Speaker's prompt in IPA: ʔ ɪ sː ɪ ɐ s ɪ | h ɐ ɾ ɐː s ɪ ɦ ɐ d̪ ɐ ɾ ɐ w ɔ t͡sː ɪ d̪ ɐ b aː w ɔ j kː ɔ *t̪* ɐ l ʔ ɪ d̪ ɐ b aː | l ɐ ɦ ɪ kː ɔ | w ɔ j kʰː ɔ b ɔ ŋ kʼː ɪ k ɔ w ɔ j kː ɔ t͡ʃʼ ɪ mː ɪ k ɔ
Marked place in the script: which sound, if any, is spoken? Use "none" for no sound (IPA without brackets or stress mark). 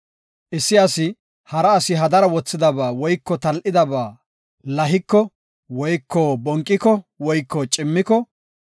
t̪